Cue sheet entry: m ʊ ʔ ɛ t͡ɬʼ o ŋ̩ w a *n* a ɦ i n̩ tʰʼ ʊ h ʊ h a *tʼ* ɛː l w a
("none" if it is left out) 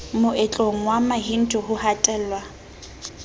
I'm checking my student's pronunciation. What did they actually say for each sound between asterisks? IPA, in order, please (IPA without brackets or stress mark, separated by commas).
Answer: m, tʼ